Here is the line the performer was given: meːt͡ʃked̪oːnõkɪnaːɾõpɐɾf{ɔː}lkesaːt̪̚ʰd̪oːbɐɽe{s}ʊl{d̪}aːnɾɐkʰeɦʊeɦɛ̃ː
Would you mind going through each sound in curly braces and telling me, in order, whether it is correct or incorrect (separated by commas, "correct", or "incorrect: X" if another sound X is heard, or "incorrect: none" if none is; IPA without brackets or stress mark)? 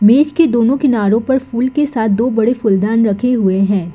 incorrect: uː, incorrect: f, correct